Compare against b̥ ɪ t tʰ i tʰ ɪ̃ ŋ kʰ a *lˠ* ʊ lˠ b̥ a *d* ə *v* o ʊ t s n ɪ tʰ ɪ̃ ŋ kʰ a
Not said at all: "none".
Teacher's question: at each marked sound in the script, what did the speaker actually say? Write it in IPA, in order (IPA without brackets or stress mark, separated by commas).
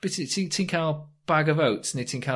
none, ɡ, v